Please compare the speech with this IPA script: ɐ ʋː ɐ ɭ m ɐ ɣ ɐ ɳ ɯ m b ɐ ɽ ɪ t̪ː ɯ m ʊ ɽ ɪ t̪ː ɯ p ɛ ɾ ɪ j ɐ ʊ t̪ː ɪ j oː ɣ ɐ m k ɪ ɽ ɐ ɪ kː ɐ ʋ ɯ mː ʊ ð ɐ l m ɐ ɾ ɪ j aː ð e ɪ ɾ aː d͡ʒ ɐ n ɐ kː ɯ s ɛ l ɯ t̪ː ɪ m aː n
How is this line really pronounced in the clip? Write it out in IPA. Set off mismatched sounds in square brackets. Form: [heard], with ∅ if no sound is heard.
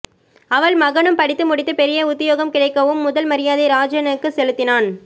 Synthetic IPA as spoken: ɐ [ʋ] ɐ ɭ m ɐ ɣ ɐ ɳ ɯ m [p] ɐ ɽ ɪ t̪ː ɯ m ʊ ɽ ɪ t̪ː ɯ p ɛ ɾ ɪ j ɐ ʊ t̪ː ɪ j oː ɣ ɐ m k ɪ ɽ ɐ ɪ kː ɐ ʋ ɯ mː ʊ ð ɐ l m ɐ ɾ ɪ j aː ð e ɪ ɾ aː d͡ʒ ɐ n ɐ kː ɯ s ɛ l ɯ t̪ː ɪ [n] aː n